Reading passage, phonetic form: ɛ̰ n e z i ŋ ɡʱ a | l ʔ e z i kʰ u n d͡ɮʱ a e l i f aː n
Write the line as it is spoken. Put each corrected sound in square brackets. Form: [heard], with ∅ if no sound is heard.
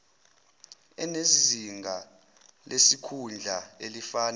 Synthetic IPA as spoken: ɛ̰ n e z i ŋ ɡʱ a | l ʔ e [s] i kʰ u n d͡ɮʱ a e l i f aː n

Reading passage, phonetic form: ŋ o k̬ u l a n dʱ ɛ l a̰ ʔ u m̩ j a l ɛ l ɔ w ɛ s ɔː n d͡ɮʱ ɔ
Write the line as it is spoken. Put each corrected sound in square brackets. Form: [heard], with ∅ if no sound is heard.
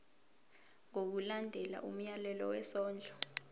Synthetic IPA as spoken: ŋ o k̬ u l a n dʱ ɛ l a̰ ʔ u m̩ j a l ɛ l ɔ w ɛ s ɔː n d͡ɮʱ ɔ

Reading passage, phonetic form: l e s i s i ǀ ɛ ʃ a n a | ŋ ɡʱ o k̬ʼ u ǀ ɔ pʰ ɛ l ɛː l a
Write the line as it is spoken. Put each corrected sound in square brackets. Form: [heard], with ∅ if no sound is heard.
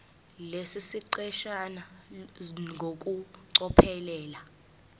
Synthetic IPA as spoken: l e s i s i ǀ ɛ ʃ a n a | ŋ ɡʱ o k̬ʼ u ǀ ɔ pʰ ɛ l ɛː l a

